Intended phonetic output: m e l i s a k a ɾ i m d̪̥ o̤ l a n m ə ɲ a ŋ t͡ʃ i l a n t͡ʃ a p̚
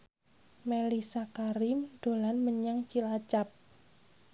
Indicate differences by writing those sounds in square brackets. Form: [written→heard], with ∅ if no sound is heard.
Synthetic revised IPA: m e l i s a k a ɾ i m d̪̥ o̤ l a n m ə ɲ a ŋ t͡ʃ i l a [n→∅] t͡ʃ a p̚